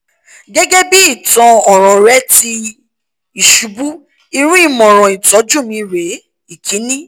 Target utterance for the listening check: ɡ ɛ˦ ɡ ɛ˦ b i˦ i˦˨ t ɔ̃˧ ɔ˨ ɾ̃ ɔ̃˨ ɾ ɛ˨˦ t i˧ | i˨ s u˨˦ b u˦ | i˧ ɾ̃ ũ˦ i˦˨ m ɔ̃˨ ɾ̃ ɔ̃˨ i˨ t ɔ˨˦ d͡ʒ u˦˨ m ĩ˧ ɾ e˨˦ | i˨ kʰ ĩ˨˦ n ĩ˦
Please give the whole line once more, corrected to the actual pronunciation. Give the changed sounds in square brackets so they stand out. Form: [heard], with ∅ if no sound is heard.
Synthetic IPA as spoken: ɡ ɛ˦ ɡ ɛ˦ b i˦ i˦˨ t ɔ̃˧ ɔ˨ ɾ̃ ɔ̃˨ ɾ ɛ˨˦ t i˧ | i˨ [ʃ] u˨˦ b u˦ | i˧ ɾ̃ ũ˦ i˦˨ m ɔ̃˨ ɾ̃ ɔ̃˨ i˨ t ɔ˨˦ d͡ʒ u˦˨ m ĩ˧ ɾ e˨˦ | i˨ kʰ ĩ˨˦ n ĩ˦